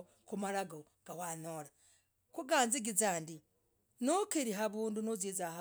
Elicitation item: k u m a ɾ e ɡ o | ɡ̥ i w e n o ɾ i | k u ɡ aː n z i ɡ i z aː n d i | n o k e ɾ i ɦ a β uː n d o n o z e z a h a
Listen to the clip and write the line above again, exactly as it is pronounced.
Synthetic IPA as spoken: k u m a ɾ a ɡ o | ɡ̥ a w a n o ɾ a | k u ɡ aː n z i ɡ i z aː n d i | n o k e ɾ i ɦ a β uː n d u n o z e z a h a